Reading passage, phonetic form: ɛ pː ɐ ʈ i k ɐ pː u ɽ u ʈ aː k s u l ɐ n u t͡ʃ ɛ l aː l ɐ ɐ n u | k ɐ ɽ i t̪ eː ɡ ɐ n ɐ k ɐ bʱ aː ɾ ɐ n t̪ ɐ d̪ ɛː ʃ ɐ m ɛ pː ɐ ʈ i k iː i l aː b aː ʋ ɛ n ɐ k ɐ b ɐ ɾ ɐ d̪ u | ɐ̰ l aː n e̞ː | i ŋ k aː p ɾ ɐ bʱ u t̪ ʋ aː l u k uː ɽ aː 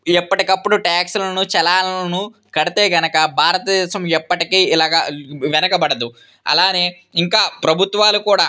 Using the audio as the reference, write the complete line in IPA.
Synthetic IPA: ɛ pː ɐ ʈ i k ɐ pː u ɽ u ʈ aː k s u l ɐ n u t͡ʃ ɛ l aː l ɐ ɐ n u | k ɐ ɽ i t̪ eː ɡ ɐ n ɐ k ɐ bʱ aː ɾ ɐ t̪ ɐ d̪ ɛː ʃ ɐ m ɛ pː ɐ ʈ i k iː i l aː ɡ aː ʋ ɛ n ɐ k ɐ b ɐ ɽ ɐ d̪ u | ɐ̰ l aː n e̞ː | i ŋ k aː p ɾ ɐ bʱ u t̪ ʋ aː l u k uː ɽ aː